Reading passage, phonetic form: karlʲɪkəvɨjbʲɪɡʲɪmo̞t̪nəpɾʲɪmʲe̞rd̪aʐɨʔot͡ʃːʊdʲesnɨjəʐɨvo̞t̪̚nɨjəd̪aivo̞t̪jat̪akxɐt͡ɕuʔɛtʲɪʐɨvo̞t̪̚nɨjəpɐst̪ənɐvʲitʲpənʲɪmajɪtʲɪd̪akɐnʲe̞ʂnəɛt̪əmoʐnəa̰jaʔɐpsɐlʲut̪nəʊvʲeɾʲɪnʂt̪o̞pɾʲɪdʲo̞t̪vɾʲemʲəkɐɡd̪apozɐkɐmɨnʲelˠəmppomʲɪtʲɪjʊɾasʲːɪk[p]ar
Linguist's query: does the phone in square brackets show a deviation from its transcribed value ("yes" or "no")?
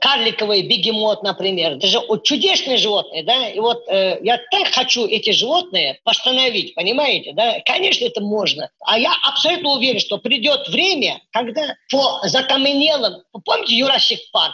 no